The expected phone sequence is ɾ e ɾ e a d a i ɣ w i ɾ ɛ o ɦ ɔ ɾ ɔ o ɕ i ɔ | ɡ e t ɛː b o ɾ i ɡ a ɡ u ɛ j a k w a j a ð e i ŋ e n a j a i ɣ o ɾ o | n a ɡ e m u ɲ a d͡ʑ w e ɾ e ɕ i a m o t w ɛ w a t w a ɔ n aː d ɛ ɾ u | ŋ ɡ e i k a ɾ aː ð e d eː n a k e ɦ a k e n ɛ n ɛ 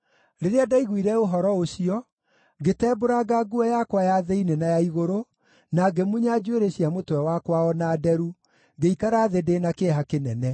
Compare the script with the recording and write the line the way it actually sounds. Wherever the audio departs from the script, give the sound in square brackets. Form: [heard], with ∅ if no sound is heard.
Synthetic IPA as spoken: ɾ e ɾ e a d a i ɣ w i ɾ ɛ o ɦ ɔ ɾ ɔ o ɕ i ɔ | ɡ e t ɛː b o ɾ [a] ɡ a ɡ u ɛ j a k w a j a ð e i [n] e n a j a i ɣ o ɾ o | n a ɡ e m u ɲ a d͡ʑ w e ɾ e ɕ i a m o t w ɛ w a [k] w a ɔ n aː d ɛ ɾ u | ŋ ɡ e i k a ɾ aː ð e d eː n a k e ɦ a k e n ɛ n ɛ